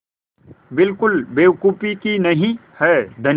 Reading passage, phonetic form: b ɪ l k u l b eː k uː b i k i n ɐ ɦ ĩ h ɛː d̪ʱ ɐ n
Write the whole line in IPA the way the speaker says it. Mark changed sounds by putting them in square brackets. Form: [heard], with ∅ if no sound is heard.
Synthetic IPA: b ɪ l k [ʊ] l b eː k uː [p] i k i n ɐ ɦ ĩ h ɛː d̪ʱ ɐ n

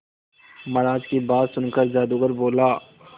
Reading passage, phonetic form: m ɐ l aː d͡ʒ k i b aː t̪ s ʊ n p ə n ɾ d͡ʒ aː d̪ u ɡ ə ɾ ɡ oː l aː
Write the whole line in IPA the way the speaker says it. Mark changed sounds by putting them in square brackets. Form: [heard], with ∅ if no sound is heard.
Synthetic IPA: m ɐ [ɾ] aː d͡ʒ k i b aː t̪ s ʊ n [k] ə [∅] ɾ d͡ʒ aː d̪ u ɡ ə ɾ [b] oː l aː

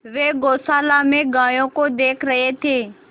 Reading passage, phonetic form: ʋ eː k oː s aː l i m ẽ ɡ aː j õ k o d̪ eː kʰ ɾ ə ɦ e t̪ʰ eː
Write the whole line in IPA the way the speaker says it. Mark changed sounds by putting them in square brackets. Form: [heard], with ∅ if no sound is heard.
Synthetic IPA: ʋ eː [ɡ] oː s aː l [a] m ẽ ɡ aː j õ k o d̪ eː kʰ ɾ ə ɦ e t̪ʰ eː

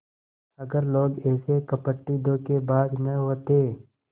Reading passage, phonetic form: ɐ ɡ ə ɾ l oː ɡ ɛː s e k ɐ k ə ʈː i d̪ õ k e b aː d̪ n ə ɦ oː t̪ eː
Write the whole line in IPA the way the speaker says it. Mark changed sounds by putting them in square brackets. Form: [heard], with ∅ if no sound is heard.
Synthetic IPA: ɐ ɡ ə ɾ l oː ɡ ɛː s e k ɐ [p] ə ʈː i d̪ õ k e b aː d̪ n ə ɦ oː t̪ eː

